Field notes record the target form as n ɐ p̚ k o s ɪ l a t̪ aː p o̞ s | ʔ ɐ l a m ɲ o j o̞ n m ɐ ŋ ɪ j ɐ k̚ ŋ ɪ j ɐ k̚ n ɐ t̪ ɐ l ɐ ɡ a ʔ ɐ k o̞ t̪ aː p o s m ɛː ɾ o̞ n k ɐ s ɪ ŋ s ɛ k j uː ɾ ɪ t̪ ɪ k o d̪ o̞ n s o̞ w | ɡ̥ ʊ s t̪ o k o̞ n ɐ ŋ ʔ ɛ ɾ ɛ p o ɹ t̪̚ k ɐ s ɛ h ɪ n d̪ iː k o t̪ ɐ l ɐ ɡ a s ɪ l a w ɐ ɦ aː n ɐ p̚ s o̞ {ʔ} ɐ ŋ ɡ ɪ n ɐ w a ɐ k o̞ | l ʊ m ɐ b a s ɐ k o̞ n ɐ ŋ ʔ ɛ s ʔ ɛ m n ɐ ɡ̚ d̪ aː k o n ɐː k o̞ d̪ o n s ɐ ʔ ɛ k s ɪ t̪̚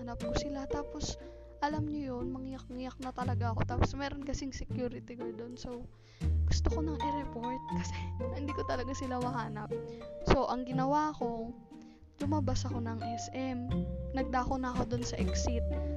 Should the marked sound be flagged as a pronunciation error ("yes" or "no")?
no